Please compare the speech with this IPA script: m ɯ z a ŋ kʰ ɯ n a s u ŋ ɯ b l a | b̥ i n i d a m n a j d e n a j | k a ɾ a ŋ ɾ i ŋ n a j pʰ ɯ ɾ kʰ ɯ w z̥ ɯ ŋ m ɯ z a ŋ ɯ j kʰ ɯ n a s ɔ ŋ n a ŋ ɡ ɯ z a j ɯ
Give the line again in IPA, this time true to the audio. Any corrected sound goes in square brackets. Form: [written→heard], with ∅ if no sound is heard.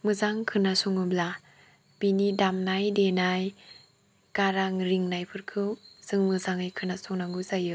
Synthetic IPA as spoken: m ɯ z a ŋ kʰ ɯ n a s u ŋ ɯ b l a | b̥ i n i d a m n a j d e n a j | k a ɾ a ŋ ɾ i ŋ n a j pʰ ɯ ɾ kʰ ɯ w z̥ ɯ ŋ m ɯ z a ŋ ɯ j kʰ ɯ n a s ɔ ŋ n a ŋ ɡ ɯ z a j ɯ